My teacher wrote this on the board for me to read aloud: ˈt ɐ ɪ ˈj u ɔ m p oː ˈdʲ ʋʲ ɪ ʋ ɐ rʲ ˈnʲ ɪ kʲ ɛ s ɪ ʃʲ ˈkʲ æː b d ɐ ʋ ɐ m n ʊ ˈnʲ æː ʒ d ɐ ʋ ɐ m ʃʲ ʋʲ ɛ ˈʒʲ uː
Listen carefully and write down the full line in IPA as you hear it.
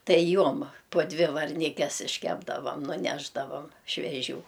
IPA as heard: ˈt ɐ ɪ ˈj u ɔ m p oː ˈdʲ ʋʲ ɪ ʋ ɐ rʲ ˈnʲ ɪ kʲ ɛ s ɪ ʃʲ ˈkʲ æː b d ɐ ʋ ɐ m n ʊ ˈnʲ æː ʒ d ɐ ʋ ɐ m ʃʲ ʋʲ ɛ ˈʒʲ uː